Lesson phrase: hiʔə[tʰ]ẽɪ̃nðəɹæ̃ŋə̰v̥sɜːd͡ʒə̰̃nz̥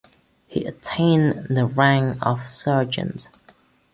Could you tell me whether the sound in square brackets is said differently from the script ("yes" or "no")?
no